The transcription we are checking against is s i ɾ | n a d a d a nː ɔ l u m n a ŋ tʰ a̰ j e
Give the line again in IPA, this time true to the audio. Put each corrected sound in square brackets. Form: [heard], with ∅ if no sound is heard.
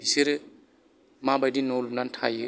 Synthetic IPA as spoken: s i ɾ | [m] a [b] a d [i] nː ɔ l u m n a [n] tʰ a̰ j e